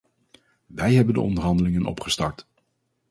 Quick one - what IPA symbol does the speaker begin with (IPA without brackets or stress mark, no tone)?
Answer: ʋ